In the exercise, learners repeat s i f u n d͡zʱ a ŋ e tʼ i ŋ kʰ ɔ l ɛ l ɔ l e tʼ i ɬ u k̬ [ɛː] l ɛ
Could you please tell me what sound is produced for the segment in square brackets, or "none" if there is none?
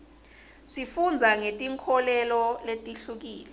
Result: iː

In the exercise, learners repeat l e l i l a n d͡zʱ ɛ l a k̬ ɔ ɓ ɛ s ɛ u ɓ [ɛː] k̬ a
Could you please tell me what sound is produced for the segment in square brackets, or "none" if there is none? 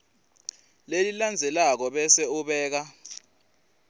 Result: ɛː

